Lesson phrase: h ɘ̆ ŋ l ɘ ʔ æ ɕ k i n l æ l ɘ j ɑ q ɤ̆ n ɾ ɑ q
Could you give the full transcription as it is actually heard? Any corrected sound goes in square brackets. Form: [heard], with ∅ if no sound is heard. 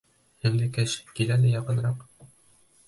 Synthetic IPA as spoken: h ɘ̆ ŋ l ɘ [k] æ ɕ k i [∅] l æ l ɘ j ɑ q ɤ̆ n ɾ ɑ q